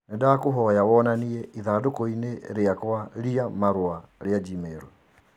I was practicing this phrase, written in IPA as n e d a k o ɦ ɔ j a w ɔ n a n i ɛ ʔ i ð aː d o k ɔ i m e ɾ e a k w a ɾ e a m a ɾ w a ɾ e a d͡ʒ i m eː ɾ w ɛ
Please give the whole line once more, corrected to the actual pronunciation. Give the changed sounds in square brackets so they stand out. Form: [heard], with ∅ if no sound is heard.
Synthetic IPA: n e d a k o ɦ ɔ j a w ɔ n a n i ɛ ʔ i ð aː d o k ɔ i [n] e ɾ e a k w a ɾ [i] a m a ɾ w a ɾ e a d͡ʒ i m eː ɾ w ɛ

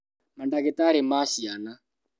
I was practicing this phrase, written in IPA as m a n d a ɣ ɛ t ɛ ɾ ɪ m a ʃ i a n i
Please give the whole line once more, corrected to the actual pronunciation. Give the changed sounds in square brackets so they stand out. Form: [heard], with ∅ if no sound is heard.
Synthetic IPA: m a n d a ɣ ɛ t [a] ɾ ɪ m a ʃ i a n [a]

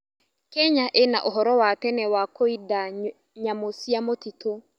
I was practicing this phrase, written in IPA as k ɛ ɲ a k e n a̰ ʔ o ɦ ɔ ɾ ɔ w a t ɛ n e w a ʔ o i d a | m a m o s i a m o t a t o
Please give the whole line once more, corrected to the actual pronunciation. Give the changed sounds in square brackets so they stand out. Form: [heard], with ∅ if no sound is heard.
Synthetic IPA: k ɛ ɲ a [ʔ] e n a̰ ʔ o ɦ ɔ ɾ ɔ w a t ɛ n [ɛ] w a [k] o i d a | [ɲ] a m o s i a m o t [i] t o

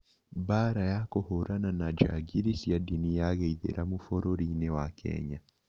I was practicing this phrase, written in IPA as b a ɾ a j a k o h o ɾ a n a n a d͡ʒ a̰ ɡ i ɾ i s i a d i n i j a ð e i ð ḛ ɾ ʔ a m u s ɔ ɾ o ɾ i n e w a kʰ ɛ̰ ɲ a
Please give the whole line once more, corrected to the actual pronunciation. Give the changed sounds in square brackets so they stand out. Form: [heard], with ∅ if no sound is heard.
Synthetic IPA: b a ɾ a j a k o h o ɾ a n a n a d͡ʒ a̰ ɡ i ɾ i s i a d i n i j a [ɣ] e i ð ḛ ɾ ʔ a m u [f] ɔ ɾ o ɾ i n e w a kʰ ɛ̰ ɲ a

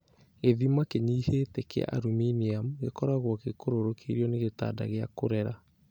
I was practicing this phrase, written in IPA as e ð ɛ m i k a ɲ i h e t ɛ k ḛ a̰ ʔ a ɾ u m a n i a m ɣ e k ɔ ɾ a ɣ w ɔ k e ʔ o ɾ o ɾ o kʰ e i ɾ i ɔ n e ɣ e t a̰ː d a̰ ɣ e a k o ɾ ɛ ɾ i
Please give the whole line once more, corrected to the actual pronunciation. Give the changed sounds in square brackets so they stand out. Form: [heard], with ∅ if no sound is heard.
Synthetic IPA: e ð [i] m [a] k [e] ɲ i h e t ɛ k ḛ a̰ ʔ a ɾ u m [i] n i a m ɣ e k ɔ ɾ a ɣ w ɔ k e [k] o ɾ o ɾ o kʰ e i ɾ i ɔ n e ɣ e t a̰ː d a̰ ɣ e a k o ɾ ɛ ɾ [a]

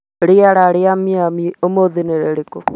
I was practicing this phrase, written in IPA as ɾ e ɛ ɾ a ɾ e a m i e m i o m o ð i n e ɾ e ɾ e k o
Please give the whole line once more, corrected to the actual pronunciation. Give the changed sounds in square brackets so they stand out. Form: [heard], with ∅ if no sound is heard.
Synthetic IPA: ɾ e [a] ɾ a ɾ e a m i [a] m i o m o ð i n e ɾ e ɾ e k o

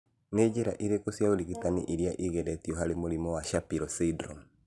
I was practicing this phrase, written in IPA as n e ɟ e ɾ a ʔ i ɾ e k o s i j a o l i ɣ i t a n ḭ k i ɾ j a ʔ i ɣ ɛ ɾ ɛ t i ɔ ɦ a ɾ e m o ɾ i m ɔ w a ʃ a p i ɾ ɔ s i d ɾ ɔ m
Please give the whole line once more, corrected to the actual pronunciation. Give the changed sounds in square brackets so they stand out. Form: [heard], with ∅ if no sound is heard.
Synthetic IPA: n e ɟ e ɾ a ʔ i ɾ e k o s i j a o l i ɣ i t a n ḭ [ʔ] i ɾ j a ʔ i ɣ ɛ ɾ ɛ t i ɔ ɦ a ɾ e m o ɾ i m ɔ w a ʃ a p i ɾ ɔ s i d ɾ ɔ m

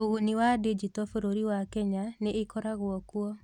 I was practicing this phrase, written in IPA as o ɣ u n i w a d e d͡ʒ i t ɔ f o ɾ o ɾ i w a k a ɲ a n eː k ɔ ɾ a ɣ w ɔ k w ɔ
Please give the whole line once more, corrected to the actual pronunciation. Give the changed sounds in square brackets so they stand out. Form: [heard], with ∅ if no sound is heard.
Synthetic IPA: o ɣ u n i w a d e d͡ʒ i t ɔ f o ɾ o ɾ i w a k [ɛ] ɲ a n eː k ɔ ɾ a ɣ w ɔ k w ɔ

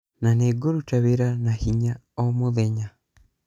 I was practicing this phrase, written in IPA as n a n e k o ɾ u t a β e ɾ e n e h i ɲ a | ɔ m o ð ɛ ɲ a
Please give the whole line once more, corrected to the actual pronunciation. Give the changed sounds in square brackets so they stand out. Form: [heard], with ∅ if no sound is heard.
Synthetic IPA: n a n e [ɡ] o ɾ u t a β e ɾ [a] n [a] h i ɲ a | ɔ m o ð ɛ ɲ a

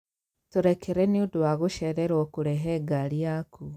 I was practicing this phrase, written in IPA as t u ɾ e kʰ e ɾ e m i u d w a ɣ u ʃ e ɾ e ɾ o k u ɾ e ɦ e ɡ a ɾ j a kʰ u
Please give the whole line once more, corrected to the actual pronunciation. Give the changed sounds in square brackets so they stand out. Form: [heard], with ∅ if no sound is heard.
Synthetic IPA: t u ɾ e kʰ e ɾ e [n] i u d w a ɣ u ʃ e ɾ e ɾ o k u ɾ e ɦ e ɡ a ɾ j a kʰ u

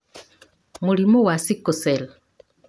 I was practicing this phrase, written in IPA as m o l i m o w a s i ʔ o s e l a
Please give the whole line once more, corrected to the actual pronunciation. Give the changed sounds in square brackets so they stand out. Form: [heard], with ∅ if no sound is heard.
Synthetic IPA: m [u] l i m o w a s i [k] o s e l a

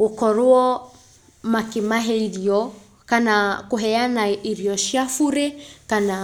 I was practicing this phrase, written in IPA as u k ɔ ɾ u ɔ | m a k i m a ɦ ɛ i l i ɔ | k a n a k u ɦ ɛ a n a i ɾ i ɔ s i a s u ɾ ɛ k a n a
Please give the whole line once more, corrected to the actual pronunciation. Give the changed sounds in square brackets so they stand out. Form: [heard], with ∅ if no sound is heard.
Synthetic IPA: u k ɔ ɾ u ɔ | m a k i m a ɦ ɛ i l i ɔ | k a n a k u ɦ ɛ a n a i ɾ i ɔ [ʃ] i a [f] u ɾ ɛ k a n a

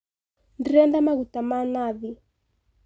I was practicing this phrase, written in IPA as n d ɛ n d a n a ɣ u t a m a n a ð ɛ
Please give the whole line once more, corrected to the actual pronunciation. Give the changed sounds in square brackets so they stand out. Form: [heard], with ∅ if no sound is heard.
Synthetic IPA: n d ɛ n d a [m] a ɣ u t a m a n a ð [i]

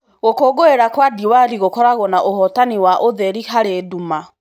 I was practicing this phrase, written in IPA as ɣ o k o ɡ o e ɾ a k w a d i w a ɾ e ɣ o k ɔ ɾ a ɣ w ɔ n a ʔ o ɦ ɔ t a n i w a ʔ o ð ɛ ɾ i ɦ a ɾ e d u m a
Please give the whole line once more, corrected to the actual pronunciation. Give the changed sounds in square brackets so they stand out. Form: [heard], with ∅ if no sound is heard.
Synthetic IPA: ɣ o k o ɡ o e ɾ a k w a d i w a ɾ [i] ɣ o k ɔ ɾ a ɣ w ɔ n a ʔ o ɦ ɔ t a n i w a ʔ o ð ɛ ɾ i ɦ a ɾ e d u m a

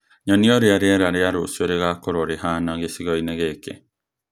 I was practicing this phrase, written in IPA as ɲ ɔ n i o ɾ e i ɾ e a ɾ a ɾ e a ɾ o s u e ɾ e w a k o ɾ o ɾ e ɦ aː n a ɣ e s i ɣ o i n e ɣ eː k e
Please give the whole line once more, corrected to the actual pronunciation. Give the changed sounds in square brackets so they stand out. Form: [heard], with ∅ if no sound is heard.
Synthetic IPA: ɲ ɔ n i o ɾ e [a] ɾ e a ɾ a ɾ e a ɾ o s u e ɾ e [ɣ] a k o ɾ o ɾ e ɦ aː n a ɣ e s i ɣ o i n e ɣ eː k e

